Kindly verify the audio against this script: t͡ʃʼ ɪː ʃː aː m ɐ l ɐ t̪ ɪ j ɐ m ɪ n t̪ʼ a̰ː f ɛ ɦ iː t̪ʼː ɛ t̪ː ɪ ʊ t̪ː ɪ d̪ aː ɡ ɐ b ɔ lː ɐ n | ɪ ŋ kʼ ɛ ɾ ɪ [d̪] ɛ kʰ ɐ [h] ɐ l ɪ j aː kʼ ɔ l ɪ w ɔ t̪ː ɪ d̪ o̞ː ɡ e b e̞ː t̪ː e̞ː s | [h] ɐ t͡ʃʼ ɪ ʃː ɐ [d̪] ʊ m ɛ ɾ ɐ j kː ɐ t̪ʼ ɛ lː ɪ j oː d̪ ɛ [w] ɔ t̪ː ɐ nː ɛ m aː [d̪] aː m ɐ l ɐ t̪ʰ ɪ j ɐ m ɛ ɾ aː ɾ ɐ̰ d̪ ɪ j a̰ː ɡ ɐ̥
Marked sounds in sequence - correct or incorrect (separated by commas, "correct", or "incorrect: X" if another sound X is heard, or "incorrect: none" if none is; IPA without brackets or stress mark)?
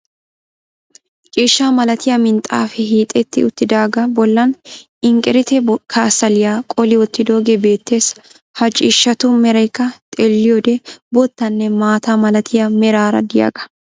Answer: incorrect: t̪, incorrect: s, correct, incorrect: t̪, incorrect: b, incorrect: t̪